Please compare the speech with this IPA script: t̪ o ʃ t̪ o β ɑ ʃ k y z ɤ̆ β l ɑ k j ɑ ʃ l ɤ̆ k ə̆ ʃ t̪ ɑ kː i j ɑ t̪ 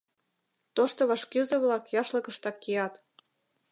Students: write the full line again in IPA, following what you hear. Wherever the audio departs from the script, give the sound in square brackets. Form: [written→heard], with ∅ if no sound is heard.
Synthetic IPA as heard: t̪ o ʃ t̪ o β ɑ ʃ k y z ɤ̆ β l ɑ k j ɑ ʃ l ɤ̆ k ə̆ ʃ t̪ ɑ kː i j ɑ t̪